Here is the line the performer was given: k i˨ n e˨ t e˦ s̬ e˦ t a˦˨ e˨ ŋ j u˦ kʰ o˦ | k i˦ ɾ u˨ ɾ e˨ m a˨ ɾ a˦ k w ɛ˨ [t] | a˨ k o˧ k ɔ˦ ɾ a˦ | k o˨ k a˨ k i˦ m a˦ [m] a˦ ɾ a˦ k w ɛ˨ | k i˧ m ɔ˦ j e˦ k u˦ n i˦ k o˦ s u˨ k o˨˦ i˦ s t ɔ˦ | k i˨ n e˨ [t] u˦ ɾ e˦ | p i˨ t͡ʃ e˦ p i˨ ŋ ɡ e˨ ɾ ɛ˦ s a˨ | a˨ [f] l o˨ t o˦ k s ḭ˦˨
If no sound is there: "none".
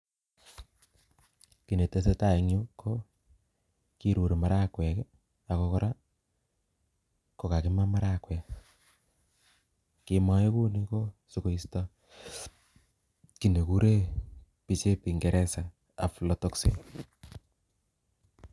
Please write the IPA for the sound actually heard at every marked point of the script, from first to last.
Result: k, m, k, f

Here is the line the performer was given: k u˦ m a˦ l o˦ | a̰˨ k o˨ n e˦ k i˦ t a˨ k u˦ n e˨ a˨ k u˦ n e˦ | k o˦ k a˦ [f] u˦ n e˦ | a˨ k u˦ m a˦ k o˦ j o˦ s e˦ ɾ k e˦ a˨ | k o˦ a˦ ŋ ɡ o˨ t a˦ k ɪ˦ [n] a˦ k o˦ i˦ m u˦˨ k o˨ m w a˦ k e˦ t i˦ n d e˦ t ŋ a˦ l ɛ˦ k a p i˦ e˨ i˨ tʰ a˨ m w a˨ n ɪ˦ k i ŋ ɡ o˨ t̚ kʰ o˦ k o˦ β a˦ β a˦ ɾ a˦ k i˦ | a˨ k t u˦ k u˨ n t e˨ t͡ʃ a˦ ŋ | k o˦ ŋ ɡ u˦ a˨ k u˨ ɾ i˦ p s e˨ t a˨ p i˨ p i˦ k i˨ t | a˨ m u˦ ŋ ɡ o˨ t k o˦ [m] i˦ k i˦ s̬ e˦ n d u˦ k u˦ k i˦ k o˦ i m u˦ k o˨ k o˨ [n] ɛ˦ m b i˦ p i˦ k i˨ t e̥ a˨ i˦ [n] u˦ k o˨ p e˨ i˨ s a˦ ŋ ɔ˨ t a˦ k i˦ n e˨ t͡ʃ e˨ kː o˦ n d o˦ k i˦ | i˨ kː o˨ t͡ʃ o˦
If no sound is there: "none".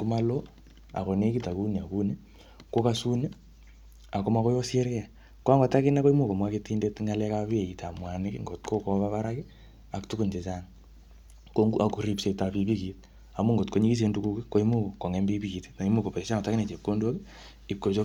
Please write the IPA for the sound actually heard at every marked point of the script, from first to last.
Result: s, n, ɲ, ŋ, m

